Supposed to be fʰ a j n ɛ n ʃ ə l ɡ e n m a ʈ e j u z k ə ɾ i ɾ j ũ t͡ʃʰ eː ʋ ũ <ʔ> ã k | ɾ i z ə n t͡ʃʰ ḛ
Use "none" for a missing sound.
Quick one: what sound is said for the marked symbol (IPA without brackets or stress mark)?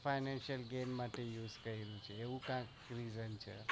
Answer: k